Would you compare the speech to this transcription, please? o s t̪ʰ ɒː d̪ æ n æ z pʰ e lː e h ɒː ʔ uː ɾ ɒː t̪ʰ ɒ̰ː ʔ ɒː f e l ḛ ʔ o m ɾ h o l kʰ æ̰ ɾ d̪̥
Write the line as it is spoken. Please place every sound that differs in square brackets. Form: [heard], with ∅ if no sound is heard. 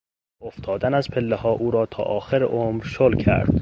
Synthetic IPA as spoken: o [f] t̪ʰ ɒː d̪ æ n æ z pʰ e lː e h ɒː ʔ uː ɾ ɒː t̪ʰ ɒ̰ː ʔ ɒː [x] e [ɾ] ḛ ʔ o m ɾ [ʃ] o l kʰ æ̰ ɾ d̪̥